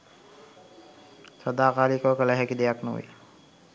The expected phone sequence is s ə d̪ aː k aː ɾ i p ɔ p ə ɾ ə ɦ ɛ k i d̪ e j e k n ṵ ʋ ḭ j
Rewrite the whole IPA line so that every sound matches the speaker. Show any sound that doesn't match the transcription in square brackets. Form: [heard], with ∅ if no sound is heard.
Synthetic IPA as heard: s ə d̪ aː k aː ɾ i [k] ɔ [k] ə [l] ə ɦ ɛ k i d̪ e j [a] k n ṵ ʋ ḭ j